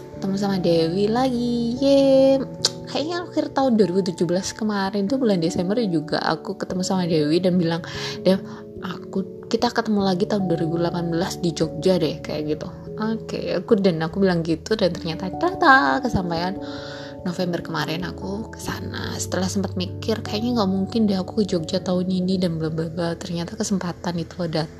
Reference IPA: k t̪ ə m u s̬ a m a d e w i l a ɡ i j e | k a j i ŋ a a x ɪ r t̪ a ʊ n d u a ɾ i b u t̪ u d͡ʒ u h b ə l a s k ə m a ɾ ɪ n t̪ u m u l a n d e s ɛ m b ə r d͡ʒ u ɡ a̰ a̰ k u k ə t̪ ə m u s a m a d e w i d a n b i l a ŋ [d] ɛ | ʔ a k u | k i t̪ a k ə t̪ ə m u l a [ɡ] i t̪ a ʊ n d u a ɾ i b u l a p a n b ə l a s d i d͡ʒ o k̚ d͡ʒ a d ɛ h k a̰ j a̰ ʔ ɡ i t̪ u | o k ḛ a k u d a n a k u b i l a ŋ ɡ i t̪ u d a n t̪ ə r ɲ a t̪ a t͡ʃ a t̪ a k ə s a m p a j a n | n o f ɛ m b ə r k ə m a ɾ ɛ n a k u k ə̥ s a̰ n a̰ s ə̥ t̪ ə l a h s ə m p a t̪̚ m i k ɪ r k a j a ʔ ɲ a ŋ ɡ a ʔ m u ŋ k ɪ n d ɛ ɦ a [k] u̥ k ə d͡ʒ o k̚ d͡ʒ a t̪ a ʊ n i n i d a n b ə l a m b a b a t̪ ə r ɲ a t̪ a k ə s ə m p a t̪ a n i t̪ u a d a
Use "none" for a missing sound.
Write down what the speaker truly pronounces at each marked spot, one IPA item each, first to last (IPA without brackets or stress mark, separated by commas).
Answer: d, ɡ, k